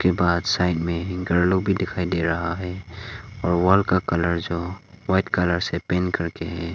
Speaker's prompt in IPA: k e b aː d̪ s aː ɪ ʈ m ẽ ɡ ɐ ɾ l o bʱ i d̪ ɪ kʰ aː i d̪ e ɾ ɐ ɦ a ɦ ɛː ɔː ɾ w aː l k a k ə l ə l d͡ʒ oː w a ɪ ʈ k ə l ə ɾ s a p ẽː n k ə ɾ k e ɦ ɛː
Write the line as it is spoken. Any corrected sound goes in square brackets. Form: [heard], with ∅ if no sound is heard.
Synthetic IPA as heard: k e b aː d̪ s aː ɪ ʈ m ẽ ɡ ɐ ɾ l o bʱ i d̪ ɪ kʰ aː i d̪ e ɾ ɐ ɦ a ɦ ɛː ɔː ɾ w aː l k a k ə l ə [ɾ] d͡ʒ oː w a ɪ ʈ k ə l ə ɾ s [e] p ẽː n k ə ɾ k e ɦ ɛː